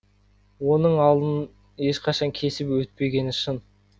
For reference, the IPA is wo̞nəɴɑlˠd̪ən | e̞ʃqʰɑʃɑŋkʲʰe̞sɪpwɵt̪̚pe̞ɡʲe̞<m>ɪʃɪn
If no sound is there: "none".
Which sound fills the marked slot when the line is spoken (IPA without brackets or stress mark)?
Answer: n